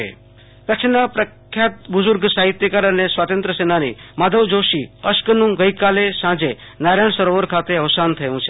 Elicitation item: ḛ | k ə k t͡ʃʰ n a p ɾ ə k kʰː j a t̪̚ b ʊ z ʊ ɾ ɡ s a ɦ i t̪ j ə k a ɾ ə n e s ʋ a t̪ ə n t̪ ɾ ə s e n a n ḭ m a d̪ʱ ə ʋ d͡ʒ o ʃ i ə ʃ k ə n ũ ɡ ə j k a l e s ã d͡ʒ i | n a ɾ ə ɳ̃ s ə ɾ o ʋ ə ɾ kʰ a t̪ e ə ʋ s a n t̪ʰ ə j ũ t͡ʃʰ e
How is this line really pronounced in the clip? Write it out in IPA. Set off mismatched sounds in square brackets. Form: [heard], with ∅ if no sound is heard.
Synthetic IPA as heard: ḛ | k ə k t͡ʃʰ n a p ɾ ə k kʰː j a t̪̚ b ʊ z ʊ ɾ ɡ s a ɦ i t̪ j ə k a ɾ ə n e s ʋ a t̪ ə n t̪ ɾ ə s e n a n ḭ m a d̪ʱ ə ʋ d͡ʒ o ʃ i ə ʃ k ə n ũ ɡ ə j k a l e s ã d͡ʒ [e] | n a ɾ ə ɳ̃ s ə ɾ o ʋ ə ɾ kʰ a t̪ e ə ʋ s a n t̪ʰ ə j ũ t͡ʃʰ e

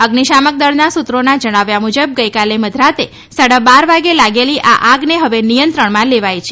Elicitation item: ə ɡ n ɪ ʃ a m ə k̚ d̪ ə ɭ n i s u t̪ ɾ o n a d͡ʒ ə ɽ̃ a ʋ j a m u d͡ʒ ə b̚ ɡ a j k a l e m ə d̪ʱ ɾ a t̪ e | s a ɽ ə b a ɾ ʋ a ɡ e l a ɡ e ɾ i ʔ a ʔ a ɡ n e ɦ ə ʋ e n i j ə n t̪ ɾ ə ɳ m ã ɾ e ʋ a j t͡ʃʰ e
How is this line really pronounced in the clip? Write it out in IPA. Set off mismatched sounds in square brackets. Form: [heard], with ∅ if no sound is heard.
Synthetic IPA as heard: ə ɡ n [i] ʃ a m ə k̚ d̪ ə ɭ n [a] s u t̪ ɾ o n a d͡ʒ ə ɽ̃ a ʋ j a m u d͡ʒ ə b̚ ɡ [ə] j k a l e m ə d̪ʱ ɾ a t̪ e | s a ɽ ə b a ɾ ʋ a ɡ e l a ɡ e [l] i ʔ a ʔ a ɡ n e ɦ ə ʋ e n i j ə n t̪ ɾ ə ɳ m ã [l] e ʋ a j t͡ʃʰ e

